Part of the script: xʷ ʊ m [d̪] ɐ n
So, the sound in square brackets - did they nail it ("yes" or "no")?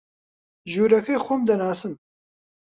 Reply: yes